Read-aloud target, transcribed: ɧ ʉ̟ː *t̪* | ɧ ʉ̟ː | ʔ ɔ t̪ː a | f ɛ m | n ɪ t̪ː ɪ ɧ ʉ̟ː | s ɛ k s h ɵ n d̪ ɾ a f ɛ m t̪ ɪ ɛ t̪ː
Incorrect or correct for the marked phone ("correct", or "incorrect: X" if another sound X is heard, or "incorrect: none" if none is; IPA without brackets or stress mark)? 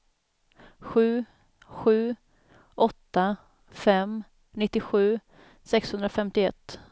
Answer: incorrect: none